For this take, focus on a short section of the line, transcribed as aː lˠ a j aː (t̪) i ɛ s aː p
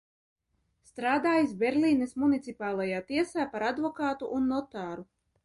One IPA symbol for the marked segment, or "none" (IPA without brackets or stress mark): t̪